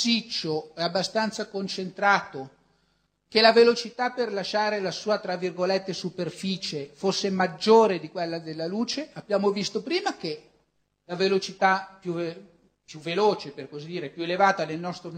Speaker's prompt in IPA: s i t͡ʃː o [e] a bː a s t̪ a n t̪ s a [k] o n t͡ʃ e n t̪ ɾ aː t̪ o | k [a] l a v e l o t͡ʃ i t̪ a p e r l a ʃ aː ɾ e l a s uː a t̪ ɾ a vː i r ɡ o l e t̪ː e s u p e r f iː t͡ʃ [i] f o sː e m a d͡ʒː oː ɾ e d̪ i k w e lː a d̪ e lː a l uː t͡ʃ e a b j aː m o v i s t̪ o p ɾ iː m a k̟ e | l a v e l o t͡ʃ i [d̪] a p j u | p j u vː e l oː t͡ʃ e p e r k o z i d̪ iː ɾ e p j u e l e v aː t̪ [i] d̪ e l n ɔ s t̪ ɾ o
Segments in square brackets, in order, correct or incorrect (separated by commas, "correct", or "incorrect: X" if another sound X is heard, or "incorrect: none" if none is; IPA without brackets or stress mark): incorrect: ɛ, correct, incorrect: e, incorrect: e, incorrect: t̪, incorrect: a